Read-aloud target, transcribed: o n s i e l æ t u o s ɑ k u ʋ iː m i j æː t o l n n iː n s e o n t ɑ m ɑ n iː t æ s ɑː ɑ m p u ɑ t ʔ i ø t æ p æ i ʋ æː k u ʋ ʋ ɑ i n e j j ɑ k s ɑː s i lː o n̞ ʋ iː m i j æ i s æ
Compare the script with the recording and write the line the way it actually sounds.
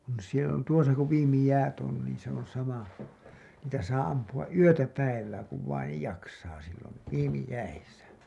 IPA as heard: o n s i e l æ t u o s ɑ k u ʋ iː m i j æː t o n n iː n s e o n s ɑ m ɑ n iː t æ s ɑː ɑ m p u ɑ ʔ ʔ y ø t æ p æ i ʋ æː k u ʋ ʋ ɑ i n e j j ɑ k s ɑː s i lː o n̞ ʋ iː m i j æ i s æ